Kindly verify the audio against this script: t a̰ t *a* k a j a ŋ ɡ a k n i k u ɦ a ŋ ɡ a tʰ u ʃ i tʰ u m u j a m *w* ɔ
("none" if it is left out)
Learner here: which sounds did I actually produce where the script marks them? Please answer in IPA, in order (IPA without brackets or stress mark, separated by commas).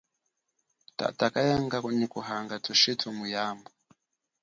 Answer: a, b